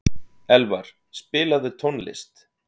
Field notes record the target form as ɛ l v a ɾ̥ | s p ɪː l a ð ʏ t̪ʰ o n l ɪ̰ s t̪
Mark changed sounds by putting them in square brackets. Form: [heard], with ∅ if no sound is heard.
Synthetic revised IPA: ɛ l v a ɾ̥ | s p ɪː l a ð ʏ t̪ʰ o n l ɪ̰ s t̪